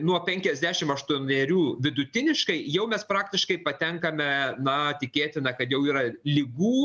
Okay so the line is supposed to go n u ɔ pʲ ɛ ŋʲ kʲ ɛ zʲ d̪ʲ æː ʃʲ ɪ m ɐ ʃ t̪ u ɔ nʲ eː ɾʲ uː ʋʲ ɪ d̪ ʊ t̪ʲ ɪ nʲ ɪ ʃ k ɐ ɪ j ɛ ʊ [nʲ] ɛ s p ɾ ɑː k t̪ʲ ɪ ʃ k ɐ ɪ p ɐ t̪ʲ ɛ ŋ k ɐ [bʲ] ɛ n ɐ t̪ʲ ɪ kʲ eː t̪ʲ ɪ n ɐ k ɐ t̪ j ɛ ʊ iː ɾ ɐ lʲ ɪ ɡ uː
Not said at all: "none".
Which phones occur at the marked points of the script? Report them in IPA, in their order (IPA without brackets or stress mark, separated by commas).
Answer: mʲ, mʲ